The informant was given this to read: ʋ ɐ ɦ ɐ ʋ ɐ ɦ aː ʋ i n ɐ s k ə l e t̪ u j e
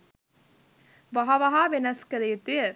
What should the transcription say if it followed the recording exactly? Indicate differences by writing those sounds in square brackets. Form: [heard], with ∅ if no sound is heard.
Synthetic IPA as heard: ʋ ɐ ɦ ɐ ʋ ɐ ɦ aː ʋ [e] n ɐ s k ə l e t̪ u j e

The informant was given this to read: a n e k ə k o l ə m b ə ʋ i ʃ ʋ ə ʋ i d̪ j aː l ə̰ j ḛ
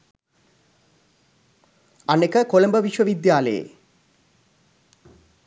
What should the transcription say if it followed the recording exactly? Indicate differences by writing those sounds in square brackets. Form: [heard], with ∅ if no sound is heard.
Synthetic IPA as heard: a n e k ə k o l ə m b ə ʋ i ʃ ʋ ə ʋ i d̪ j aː l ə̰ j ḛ

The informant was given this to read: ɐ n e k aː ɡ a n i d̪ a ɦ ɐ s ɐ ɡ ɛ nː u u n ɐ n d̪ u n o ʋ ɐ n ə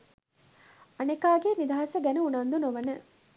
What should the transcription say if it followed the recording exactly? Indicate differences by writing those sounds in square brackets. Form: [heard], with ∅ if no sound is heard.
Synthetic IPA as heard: ɐ n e k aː ɡ [e] n i d̪ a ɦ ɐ s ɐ ɡ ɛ [n] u u n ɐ n d̪ u n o ʋ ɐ n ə

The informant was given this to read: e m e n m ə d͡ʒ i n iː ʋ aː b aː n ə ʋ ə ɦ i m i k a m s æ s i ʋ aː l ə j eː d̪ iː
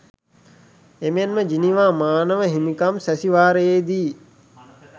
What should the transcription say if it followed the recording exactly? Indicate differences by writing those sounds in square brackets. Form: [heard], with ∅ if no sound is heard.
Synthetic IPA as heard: e m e n m ə d͡ʒ i n [i] ʋ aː [m] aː n ə ʋ ə ɦ i m i k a m s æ s i ʋ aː [ɾ] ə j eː d̪ iː

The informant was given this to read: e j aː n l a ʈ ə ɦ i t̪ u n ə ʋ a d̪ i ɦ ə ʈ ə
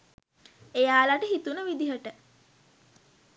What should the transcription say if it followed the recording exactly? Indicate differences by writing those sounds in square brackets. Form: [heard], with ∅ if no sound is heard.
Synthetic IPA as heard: e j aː [∅] l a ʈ ə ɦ i t̪ u n ə ʋ [i] d̪ i ɦ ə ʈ ə

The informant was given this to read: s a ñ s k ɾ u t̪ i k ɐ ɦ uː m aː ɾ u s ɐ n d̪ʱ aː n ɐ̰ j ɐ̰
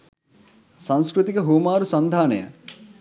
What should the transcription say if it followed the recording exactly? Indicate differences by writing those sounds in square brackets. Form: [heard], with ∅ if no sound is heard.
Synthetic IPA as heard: s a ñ s k ɾ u t̪ i k ɐ ɦ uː m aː ɾ u s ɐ n d̪ʱ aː n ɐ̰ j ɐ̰

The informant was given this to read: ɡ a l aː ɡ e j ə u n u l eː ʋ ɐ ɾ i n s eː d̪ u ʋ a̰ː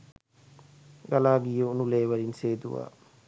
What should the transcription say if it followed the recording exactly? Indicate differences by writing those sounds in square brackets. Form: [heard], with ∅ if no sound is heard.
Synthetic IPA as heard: ɡ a l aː ɡ [i] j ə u n u l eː ʋ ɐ ɾ i n s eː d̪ u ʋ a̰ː

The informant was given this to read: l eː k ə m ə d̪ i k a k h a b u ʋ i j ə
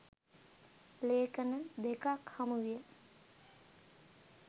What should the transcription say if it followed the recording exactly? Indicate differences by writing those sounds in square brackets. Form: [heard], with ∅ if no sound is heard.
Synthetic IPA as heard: l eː k ə [n] ə d̪ [e] k a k h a [m] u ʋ i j ə

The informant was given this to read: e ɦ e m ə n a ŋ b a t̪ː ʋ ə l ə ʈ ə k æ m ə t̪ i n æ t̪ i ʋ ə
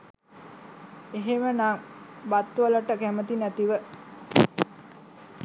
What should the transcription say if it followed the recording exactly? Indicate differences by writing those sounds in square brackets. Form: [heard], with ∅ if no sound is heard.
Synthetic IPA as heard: e ɦ e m ə n a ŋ b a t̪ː ʋ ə l ə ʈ ə k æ m ə t̪ i n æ t̪ i ʋ ə

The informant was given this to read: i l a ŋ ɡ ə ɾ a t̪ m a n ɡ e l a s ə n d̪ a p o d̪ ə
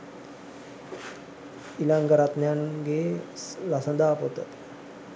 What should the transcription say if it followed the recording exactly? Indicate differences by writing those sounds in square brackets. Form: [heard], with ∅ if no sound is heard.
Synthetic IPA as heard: i l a ŋ ɡ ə ɾ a t̪ [n] a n ɡ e l a s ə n d̪ a p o [t̪] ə

